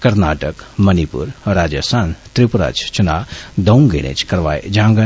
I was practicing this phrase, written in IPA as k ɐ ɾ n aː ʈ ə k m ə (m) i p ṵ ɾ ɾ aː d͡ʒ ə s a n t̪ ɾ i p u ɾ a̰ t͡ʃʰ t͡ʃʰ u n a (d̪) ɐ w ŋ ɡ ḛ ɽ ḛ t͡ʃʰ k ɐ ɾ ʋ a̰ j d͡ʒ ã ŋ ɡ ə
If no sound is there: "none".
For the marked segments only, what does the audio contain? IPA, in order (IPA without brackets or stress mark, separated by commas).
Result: n, d̪